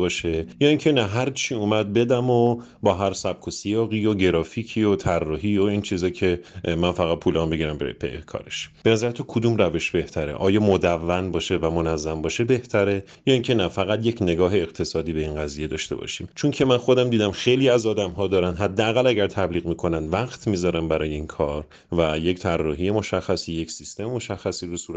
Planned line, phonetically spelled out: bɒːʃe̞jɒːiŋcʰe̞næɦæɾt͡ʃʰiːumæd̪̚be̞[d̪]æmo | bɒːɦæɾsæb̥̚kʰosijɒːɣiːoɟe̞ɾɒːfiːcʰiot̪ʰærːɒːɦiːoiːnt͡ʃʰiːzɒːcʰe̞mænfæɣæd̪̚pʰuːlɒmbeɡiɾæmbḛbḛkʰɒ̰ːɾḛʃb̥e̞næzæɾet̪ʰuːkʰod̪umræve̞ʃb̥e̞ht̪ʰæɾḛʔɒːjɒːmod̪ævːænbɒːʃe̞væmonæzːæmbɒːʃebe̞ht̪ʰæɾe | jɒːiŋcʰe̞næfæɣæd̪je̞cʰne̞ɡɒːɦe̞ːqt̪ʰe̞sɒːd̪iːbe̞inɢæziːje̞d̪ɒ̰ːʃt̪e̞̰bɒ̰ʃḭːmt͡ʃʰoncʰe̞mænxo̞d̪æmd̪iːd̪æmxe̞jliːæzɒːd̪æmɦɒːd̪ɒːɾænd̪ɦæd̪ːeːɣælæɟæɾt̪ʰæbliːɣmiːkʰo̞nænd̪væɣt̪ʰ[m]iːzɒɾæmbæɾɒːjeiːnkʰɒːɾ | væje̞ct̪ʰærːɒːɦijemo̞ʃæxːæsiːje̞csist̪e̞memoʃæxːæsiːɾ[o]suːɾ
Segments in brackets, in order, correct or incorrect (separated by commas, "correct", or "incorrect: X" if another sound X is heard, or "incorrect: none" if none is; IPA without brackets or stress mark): correct, correct, incorrect: u